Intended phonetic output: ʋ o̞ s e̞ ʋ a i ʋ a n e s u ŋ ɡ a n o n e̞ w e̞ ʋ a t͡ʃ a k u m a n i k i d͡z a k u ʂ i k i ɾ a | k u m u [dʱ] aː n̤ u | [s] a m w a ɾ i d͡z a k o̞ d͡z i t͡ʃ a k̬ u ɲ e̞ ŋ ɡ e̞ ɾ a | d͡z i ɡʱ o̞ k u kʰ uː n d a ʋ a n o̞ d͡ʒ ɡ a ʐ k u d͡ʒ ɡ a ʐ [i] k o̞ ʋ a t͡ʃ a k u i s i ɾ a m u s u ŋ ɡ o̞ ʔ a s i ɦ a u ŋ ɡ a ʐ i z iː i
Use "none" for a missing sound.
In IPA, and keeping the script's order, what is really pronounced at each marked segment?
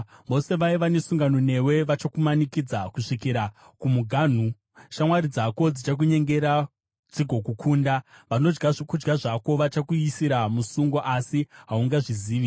ɡʱ, ʃ, a

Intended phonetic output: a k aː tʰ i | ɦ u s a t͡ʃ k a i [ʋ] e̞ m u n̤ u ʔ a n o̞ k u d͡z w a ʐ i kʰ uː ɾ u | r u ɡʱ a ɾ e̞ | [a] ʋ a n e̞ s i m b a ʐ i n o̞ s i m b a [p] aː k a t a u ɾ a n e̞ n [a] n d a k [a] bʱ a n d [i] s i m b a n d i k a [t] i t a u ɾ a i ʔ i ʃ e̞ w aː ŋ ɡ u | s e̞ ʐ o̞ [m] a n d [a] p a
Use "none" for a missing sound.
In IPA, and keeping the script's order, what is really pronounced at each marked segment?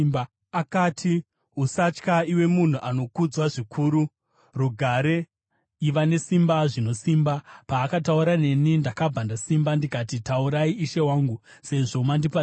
w, i, p, i, a, a, t, m, i

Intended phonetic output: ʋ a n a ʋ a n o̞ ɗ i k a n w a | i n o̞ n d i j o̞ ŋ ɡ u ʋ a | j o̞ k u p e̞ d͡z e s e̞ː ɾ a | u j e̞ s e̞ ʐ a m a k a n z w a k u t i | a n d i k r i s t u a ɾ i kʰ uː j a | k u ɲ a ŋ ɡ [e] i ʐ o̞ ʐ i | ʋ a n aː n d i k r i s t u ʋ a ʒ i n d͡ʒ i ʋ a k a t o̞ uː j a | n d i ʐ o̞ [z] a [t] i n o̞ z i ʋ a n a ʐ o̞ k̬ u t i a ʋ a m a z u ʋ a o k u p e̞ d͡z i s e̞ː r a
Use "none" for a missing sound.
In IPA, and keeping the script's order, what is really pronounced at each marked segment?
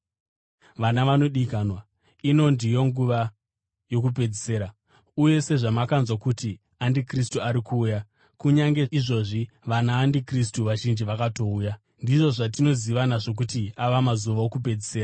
e, ʐ, t

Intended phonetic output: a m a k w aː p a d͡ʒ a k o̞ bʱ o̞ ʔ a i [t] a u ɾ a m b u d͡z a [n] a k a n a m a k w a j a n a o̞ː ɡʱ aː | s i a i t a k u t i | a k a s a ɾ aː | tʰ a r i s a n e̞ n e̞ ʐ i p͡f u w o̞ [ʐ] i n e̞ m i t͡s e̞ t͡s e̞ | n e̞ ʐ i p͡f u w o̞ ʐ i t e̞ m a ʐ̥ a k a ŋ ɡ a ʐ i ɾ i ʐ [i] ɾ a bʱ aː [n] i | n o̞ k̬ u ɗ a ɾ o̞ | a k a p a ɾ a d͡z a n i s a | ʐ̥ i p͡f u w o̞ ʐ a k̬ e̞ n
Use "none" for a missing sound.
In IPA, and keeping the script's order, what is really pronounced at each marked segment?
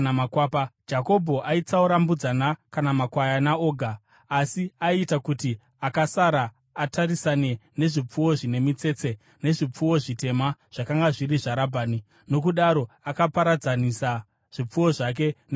t͡s, n, ʐ, a, n

